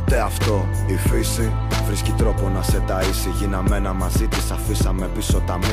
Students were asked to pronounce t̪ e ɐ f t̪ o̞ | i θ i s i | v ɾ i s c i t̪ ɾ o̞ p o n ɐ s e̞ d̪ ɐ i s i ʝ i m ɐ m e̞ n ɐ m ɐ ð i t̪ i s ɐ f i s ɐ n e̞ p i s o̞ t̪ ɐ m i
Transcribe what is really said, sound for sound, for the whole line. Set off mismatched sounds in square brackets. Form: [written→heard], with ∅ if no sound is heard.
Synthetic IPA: t̪ e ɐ f t̪ o̞ | i [θ→f] i s i | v ɾ i s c i t̪ ɾ o̞ p o n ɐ s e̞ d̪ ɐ i s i ʝ i [m→n] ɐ m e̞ n ɐ m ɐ [ð→z] i t̪ i s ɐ f i s ɐ [n→m] e̞ p i s o̞ t̪ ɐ m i